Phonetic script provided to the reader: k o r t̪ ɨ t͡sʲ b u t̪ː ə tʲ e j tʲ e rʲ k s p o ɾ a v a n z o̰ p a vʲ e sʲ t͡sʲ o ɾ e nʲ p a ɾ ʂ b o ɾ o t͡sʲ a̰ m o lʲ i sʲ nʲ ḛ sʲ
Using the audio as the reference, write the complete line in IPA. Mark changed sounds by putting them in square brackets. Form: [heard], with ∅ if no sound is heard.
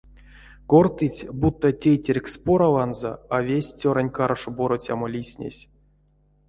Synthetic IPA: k o r t̪ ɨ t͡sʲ b u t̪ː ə tʲ e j tʲ e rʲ k s p o ɾ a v a n z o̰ [∅] a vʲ e sʲ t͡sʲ o ɾ [a] nʲ [k] a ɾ ʂ b o ɾ o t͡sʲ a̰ m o lʲ i sʲ nʲ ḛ sʲ